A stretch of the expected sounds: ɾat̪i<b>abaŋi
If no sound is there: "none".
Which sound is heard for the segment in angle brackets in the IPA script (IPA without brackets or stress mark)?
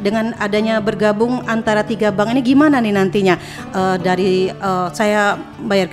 ɡ